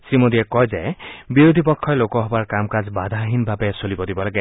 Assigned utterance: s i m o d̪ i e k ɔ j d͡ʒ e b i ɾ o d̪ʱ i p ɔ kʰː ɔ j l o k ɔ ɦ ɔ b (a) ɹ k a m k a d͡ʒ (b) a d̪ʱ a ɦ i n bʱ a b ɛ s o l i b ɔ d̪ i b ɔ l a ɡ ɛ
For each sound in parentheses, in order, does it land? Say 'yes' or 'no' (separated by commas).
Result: yes, yes